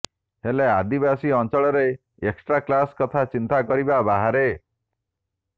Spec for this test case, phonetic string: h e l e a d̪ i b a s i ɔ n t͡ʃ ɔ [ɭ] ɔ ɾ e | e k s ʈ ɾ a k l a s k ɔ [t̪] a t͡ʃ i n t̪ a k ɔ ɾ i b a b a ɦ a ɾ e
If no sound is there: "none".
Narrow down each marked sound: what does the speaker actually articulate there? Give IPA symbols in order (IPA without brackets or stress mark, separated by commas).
ɭ, t̪ʰ